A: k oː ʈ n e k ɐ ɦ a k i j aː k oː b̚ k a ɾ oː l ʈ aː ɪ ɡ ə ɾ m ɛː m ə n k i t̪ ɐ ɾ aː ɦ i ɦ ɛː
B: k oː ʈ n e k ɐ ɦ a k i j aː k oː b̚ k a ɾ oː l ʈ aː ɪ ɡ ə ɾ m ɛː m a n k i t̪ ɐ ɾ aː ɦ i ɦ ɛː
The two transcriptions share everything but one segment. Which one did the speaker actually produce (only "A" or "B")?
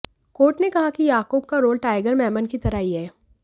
A